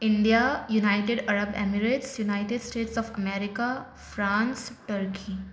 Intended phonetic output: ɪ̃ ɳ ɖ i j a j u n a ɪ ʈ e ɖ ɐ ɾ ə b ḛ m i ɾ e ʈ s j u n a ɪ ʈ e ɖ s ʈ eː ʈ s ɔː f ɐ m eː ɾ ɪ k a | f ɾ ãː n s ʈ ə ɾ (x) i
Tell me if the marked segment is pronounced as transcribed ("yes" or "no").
no